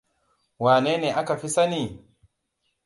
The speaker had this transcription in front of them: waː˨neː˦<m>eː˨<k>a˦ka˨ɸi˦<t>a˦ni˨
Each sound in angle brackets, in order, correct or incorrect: incorrect, incorrect, incorrect

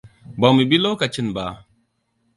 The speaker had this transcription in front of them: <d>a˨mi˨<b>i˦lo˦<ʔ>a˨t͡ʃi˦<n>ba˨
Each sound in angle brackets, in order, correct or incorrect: incorrect, correct, incorrect, correct

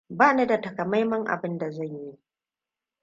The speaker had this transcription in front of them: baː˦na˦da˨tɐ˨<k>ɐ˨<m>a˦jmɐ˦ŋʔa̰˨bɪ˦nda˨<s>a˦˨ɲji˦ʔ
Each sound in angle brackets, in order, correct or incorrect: correct, correct, incorrect

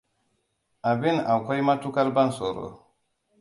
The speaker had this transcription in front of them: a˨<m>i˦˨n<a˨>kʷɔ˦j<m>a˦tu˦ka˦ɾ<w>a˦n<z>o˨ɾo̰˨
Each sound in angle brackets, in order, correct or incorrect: incorrect, correct, correct, incorrect, incorrect

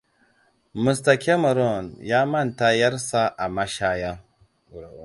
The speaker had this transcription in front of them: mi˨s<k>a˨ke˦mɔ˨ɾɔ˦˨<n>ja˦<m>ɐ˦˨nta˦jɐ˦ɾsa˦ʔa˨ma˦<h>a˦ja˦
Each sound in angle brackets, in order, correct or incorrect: incorrect, correct, correct, incorrect

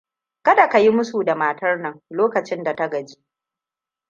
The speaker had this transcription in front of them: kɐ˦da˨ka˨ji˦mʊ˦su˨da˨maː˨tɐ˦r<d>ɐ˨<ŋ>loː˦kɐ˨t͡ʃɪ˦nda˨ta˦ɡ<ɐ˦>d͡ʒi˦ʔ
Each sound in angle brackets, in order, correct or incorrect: incorrect, correct, incorrect

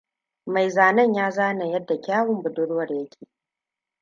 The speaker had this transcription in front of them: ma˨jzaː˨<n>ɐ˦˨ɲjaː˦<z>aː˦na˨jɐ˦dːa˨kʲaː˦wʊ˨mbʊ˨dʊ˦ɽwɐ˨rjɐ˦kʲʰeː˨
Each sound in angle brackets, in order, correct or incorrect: correct, correct

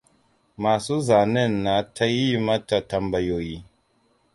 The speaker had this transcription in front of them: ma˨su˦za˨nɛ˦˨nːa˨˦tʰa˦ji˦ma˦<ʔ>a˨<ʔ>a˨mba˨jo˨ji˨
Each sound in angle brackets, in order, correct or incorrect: incorrect, incorrect

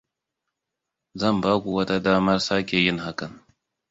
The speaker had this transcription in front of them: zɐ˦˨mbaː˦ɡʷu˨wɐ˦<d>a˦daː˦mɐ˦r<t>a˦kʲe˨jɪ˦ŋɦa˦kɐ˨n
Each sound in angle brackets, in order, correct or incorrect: incorrect, incorrect

